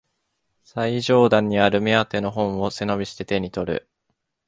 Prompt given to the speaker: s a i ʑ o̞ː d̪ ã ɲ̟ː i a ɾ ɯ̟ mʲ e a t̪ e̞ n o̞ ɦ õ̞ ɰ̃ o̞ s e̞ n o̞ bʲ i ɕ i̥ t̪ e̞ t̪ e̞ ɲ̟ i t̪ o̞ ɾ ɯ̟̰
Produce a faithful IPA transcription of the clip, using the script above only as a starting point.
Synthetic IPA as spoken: s a i ʑ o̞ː d̪ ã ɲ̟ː i a ɾ ɯ̟ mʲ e a t̪ e̞ n o̞ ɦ õ̞ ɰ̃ o̞ s e̞ n o̞ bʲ i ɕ i̥ t̪ e̞ t̪ e̞ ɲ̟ i t̪ o̞ ɾ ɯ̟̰